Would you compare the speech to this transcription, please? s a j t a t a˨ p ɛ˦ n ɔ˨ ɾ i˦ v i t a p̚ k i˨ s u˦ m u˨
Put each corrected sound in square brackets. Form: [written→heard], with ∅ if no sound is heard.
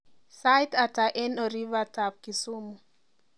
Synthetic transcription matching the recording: s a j t a t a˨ [p→ʔ] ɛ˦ n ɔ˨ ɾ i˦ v [i→a] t a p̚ k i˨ s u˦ m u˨